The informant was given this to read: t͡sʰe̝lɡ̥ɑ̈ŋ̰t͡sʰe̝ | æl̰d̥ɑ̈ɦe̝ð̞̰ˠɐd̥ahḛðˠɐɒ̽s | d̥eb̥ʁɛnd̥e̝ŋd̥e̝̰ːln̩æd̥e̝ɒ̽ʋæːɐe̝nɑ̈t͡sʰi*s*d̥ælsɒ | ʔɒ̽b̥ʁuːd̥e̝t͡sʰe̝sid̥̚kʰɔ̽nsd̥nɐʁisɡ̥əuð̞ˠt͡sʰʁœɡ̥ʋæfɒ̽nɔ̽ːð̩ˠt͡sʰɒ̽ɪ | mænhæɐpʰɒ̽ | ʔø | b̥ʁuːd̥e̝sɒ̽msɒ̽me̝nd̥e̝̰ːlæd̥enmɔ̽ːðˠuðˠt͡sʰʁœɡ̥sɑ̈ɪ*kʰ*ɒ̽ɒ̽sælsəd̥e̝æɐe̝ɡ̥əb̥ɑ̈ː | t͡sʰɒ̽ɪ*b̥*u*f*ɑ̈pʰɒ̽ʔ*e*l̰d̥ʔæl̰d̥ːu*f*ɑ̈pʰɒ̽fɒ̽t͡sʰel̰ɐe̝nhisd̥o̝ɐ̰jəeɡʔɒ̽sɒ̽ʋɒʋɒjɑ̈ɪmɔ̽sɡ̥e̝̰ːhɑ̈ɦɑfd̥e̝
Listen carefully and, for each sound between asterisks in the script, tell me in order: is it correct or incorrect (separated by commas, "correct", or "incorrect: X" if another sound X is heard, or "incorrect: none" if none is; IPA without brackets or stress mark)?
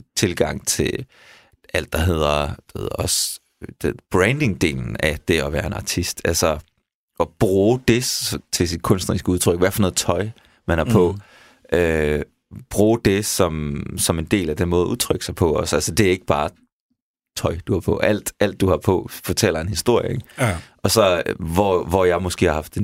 correct, incorrect: pʰ, incorrect: d̥, incorrect: h, incorrect: æ, incorrect: h